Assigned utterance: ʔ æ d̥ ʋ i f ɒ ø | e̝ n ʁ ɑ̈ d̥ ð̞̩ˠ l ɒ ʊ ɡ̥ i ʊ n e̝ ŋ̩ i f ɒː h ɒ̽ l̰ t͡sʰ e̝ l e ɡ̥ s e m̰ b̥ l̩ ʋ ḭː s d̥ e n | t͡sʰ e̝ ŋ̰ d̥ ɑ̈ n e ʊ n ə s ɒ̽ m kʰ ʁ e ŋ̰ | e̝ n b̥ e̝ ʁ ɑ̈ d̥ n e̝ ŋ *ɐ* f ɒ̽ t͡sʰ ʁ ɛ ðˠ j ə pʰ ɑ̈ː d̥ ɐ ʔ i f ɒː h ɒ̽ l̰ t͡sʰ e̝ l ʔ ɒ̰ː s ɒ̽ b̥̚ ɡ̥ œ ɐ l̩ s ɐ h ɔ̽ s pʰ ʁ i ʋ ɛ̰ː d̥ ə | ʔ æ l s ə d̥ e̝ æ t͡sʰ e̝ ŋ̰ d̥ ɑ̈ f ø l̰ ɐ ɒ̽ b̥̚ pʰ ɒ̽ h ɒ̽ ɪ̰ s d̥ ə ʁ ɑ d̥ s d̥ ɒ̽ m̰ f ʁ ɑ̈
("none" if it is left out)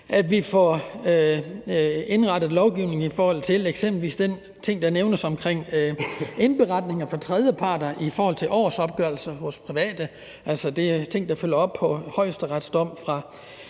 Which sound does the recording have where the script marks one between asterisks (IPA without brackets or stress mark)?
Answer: ɐ